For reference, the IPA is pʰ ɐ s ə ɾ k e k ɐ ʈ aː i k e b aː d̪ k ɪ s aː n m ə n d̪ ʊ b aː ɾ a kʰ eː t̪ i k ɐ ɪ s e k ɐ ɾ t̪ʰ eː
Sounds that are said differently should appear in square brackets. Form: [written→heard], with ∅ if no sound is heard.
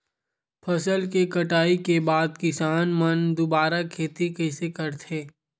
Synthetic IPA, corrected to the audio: pʰ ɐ s ə [ɾ→l] k e k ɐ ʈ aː i k e b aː d̪ k ɪ s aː n m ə n d̪ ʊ b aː ɾ a kʰ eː t̪ i k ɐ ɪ s e k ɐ ɾ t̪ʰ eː